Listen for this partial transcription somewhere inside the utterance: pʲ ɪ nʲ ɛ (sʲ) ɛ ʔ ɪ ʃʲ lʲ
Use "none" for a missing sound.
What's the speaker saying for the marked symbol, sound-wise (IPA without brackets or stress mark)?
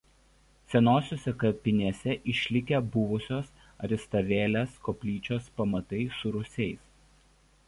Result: sʲ